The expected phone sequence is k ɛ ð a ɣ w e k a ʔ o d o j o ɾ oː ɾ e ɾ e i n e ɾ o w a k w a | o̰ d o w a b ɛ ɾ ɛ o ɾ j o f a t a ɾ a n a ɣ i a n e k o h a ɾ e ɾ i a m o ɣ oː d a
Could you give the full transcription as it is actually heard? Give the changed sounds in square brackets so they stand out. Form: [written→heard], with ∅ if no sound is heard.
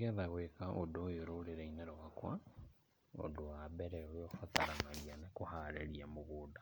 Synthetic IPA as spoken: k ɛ ð a ɣ w e k a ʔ o d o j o ɾ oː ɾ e ɾ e i n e ɾ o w a k w a | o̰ d o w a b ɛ ɾ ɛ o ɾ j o f a t a ɾ a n a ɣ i a n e k o h a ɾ e ɾ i a m o ɣ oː d a

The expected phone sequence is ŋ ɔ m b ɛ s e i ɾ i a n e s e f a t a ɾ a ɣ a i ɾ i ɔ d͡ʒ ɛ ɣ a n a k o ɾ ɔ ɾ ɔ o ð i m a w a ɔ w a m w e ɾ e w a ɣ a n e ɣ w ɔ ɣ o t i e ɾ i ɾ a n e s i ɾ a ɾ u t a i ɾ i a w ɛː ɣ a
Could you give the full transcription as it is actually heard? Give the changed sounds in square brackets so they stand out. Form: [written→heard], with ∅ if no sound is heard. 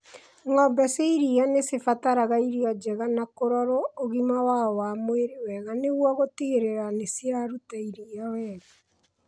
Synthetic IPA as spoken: ŋ ɔ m b ɛ s e i ɾ i a n e s e f a t a ɾ a ɣ a i ɾ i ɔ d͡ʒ ɛ ɣ a n a k o ɾ ɔ ɾ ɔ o [ð→ɣ] i m a w a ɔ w a m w e ɾ e w [a→ɛ] ɣ a n e ɣ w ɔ ɣ o t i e ɾ [i→e] ɾ a n e s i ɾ a ɾ u t a i ɾ i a w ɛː ɣ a

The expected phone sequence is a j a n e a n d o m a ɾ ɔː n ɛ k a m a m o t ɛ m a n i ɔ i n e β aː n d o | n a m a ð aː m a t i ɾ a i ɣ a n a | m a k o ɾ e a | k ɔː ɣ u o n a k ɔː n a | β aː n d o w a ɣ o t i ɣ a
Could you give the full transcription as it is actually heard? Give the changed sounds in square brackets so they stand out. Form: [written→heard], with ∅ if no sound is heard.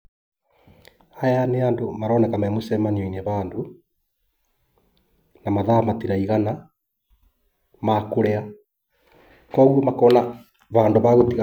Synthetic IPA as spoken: a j a n e a n d o m a ɾ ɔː n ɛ k a m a m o [t→s] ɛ m a n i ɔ i n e β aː n d o | n a m a ð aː m a t i ɾ a i ɣ a n a | m a k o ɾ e a | k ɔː ɣ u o [n→m] a k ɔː n a | β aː n d o [w→β] a ɣ o t i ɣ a

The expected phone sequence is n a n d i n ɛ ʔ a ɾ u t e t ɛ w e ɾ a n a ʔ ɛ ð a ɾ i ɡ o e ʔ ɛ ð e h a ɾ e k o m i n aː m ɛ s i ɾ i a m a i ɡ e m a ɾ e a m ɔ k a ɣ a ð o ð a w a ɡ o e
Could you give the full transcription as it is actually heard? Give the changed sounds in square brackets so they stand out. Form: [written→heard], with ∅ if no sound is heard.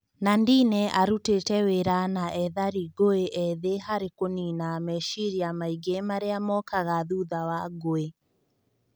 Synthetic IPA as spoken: n a n d i n ɛ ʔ a ɾ u t e t ɛ w e ɾ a n a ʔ ɛ ð a ɾ i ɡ o e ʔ ɛ ð e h a ɾ e k o [m→n] i n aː m ɛ [s→ʃ] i ɾ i a m a i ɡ e m a ɾ e a m ɔ k a ɣ a ð [o→u] ð a w a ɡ o e

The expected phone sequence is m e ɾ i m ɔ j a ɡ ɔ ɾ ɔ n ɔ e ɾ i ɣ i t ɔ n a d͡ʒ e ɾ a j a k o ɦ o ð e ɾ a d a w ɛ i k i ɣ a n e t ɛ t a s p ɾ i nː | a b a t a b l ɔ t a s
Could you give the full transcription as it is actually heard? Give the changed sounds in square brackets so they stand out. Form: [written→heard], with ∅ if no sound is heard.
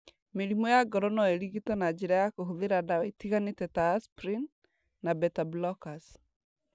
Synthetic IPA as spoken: m e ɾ i m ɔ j a ɡ ɔ ɾ ɔ n ɔ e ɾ i ɣ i t ɔ n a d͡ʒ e ɾ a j a k o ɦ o ð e ɾ a d a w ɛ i [k→t] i ɣ a n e t ɛ t a s p ɾ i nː | a b [a→ɛ] t a b l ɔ [t→k] a s

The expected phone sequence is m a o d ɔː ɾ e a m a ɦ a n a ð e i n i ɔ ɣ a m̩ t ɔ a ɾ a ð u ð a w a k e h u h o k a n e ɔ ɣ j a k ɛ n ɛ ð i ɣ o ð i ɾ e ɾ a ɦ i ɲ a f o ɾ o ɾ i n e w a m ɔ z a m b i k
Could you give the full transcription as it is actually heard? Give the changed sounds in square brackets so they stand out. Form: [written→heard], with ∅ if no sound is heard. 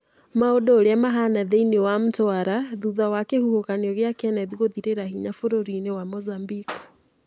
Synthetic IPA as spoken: m a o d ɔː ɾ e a m a ɦ a n a ð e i n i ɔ [ɣ→w] a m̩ t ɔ a ɾ a ð u ð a w a k e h u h o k a n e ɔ ɣ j a k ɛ n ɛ ð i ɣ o ð i ɾ e ɾ a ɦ i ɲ a f o ɾ o ɾ i n e w a m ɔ z a m b i k

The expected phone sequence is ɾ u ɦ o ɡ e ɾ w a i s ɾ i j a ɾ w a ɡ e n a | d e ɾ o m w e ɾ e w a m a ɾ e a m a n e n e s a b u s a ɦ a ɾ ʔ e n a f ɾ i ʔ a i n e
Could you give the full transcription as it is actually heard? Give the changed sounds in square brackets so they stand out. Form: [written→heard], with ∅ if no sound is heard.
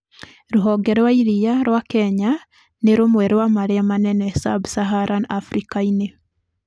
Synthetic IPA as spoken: ɾ u ɦ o ɡ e ɾ w a i [s→∅] ɾ i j a ɾ w a [ɡ→k] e [n→ɲ] a | [d→n] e ɾ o m w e ɾ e w a m a ɾ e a m a n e n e s a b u s a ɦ a ɾ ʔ [e→a] n a f ɾ i [ʔ→k] a i n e

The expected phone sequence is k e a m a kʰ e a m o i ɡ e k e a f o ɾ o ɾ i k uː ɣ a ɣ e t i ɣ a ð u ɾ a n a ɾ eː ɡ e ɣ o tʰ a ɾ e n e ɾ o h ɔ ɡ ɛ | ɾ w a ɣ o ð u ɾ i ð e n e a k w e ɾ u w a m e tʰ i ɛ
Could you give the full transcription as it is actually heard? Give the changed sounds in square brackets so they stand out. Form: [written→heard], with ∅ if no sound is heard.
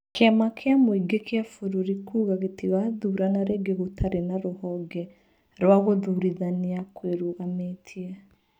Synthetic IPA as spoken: k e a m a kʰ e a m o i ɡ e k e a f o ɾ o ɾ i k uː ɣ a ɣ e t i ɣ a ð u ɾ a n a ɾ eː ɡ e ɣ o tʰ a ɾ e n [e→a] ɾ o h ɔ ɡ ɛ | ɾ w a ɣ o ð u ɾ i ð [e→a] n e a k w e ɾ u [w→ɣ] a m e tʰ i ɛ

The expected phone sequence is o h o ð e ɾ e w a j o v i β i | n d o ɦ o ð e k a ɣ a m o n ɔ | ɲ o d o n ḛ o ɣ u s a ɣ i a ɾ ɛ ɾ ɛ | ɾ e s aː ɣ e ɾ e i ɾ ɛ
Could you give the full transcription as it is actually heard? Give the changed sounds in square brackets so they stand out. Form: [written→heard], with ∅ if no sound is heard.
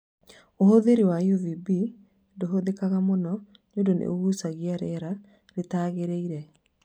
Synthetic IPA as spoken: o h o ð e ɾ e w a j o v i [β→b] i | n d o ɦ o ð e k a ɣ a m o n ɔ | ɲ o d o n ḛ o ɣ u s a ɣ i a ɾ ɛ ɾ [ɛ→a] | ɾ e [s→t] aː ɣ e ɾ e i ɾ ɛ

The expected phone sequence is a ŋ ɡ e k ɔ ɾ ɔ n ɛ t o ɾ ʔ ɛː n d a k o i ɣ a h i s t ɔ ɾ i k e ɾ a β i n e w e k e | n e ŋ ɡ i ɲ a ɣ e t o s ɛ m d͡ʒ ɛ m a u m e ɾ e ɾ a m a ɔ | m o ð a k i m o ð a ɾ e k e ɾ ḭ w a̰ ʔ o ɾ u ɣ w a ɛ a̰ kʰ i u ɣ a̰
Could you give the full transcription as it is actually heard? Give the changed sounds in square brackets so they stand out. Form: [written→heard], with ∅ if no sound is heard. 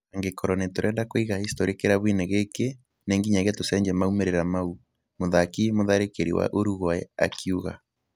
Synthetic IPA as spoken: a ŋ ɡ e k ɔ ɾ ɔ n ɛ t o ɾ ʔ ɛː n d a k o i ɣ a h i s t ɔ ɾ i k e ɾ a β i n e [w→ɣ] e k e | n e ŋ ɡ i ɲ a ɣ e t o s ɛ [m→ɲ] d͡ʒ ɛ m a u m e ɾ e ɾ a m a [ɔ→u] | m o ð a k i m o ð a ɾ e k e ɾ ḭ w a̰ ʔ o ɾ u ɣ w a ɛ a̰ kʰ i u ɣ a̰

